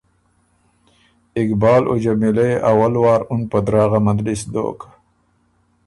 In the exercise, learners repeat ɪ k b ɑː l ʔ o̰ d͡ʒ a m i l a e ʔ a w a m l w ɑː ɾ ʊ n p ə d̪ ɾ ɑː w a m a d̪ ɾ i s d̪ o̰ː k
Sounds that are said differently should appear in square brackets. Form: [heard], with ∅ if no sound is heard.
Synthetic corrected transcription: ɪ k b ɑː l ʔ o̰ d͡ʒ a m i l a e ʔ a w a [∅] l w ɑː ɾ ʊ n p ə d̪ ɾ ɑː [ɣ] a m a d̪ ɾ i s d̪ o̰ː k